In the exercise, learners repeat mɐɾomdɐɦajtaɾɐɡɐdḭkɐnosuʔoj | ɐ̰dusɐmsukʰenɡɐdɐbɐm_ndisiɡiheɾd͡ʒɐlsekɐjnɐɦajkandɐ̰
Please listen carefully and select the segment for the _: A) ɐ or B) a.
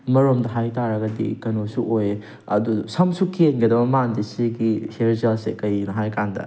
B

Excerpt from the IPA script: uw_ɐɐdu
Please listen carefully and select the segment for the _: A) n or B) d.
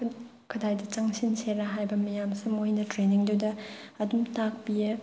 B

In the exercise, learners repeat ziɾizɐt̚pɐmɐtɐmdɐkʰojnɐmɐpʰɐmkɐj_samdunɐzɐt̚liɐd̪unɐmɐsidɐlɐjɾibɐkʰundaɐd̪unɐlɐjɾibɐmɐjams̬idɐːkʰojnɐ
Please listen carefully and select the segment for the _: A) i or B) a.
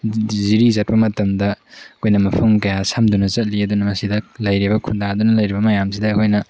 B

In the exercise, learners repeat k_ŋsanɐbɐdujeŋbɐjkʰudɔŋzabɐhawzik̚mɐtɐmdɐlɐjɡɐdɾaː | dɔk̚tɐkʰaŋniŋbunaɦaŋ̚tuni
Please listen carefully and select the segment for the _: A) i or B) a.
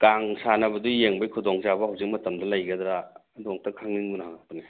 B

